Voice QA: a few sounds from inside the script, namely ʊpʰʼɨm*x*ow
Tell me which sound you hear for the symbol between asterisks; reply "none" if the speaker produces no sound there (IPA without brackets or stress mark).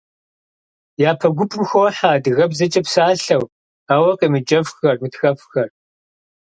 x